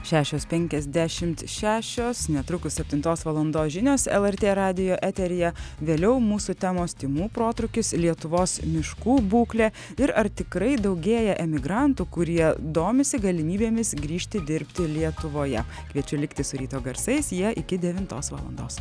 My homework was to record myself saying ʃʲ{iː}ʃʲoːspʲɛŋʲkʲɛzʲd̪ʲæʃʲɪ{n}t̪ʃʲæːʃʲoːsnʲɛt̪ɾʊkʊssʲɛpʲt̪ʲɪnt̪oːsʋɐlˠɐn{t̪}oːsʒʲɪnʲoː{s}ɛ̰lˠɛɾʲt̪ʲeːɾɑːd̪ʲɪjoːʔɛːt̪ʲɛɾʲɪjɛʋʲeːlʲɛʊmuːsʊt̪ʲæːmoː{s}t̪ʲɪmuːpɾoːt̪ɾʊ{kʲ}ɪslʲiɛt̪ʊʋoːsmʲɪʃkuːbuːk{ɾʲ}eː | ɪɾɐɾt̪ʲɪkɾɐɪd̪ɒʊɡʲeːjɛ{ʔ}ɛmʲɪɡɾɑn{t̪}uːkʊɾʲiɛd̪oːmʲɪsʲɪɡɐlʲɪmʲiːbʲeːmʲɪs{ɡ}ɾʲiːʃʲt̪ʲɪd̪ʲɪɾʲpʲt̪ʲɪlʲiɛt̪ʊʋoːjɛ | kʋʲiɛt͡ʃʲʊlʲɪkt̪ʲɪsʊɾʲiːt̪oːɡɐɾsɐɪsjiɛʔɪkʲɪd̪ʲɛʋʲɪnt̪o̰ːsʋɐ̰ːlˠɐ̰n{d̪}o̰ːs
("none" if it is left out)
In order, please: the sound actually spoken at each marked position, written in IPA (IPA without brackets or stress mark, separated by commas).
æː, m, d̪, s, s, kʲ, lʲ, ʔ, t̪, ɡ, d̪